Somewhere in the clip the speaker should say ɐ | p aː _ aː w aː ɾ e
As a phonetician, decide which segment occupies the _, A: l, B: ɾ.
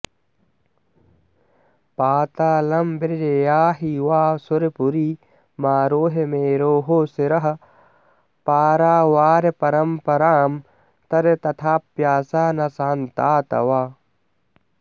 B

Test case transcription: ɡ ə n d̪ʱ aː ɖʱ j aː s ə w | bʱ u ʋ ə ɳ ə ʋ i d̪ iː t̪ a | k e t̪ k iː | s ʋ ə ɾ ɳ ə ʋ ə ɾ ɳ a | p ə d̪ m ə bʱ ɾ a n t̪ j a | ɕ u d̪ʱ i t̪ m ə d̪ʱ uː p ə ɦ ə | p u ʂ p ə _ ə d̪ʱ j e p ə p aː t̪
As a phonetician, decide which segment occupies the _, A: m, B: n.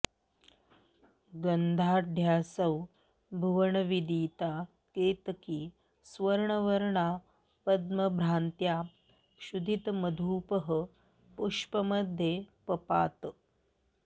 A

